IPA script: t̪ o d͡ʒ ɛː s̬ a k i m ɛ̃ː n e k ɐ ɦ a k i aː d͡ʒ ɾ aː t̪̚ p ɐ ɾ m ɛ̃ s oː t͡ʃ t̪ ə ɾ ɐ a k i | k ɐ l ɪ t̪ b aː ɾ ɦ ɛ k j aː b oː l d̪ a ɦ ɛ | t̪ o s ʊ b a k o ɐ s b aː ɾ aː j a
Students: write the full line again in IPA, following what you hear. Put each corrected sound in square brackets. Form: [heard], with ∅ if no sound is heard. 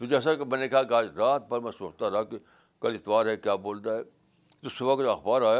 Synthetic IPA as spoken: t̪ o d͡ʒ ɛː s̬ a k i m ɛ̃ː n e k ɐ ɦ a k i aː d͡ʒ ɾ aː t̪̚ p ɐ ɾ m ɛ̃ s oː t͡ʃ t̪ [a] ɾ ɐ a k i | k ɐ l ɪ t̪ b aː ɾ ɦ ɛ k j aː b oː l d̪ a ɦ ɛ | t̪ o s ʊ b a k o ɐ [x] b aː ɾ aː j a